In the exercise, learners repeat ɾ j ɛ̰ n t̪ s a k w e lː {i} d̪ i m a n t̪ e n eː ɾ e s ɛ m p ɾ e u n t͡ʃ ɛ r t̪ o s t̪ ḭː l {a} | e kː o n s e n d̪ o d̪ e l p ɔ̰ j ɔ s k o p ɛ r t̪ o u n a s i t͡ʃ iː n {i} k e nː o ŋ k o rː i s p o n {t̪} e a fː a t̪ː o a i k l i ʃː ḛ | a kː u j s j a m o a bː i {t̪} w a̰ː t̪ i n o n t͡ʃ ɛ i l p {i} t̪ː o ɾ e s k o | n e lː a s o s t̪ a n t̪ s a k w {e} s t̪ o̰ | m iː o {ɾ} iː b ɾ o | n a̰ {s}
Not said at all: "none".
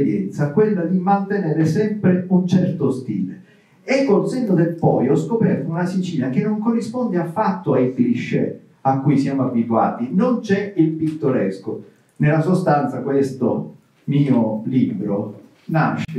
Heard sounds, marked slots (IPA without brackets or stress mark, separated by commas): a, e, a, d̪, t̪, i, e, l, ʃ